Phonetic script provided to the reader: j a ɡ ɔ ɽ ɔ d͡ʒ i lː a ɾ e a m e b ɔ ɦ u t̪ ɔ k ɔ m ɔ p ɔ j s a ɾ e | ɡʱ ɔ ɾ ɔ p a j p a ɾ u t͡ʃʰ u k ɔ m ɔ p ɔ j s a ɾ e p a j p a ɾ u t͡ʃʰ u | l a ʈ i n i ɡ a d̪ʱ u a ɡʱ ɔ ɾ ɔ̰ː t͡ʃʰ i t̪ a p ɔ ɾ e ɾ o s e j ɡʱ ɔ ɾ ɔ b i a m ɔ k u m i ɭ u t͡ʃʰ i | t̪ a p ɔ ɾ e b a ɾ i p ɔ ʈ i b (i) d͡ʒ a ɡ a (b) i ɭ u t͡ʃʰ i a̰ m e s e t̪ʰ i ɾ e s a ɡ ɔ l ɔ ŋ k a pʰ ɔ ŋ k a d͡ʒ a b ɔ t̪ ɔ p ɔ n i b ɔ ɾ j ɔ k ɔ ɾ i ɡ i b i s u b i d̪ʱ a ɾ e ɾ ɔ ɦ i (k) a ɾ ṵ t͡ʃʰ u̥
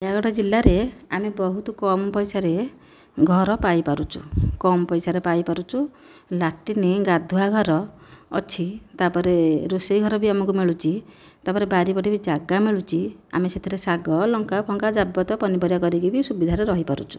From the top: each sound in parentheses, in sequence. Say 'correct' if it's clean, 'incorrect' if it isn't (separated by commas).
correct, incorrect, incorrect